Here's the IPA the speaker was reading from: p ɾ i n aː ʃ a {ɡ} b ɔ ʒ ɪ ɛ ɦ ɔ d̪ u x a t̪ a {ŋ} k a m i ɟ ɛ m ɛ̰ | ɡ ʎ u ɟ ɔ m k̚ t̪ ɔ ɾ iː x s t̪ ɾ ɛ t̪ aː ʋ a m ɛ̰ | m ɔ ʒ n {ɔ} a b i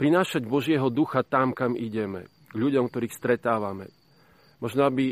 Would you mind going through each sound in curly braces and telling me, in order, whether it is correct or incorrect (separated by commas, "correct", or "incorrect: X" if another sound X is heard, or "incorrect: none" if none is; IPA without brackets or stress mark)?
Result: incorrect: ɟ, incorrect: m, correct